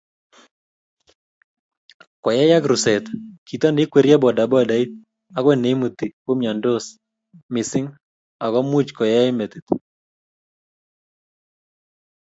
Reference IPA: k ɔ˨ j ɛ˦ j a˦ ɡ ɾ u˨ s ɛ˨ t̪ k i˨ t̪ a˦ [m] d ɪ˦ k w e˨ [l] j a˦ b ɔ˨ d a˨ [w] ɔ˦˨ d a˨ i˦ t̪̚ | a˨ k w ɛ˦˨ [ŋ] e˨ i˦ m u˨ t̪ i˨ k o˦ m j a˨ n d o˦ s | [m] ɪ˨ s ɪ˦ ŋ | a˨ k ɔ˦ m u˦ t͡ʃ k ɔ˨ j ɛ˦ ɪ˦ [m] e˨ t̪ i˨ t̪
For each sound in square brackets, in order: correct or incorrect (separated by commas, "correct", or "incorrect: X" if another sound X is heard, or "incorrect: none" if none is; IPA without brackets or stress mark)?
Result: incorrect: n, incorrect: ɾ, incorrect: b, incorrect: n, correct, correct